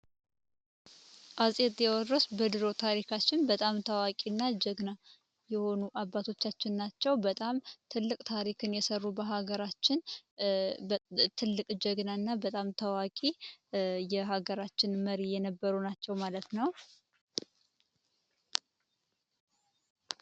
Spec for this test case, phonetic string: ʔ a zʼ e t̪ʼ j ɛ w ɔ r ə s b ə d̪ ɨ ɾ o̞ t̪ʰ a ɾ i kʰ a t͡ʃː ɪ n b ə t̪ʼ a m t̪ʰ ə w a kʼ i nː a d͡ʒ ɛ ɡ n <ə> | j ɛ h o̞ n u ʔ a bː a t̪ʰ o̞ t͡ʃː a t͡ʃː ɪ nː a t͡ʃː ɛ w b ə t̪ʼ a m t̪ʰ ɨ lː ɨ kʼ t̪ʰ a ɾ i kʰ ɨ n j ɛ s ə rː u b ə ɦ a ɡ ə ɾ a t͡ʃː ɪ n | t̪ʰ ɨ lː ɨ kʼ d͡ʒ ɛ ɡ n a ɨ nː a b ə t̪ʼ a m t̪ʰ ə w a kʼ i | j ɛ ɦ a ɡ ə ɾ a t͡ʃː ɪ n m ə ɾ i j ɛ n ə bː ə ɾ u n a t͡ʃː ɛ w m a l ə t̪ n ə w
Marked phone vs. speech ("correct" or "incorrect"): incorrect